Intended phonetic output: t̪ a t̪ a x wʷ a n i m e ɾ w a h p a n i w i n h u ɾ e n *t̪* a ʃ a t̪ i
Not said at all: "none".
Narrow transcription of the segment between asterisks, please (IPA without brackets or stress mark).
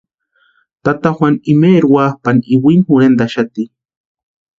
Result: d̪